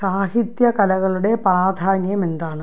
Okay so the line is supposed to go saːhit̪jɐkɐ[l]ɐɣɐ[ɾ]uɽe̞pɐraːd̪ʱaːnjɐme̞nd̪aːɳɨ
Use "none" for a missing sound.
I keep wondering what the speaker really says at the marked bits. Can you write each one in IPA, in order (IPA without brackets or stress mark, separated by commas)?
l, ɭ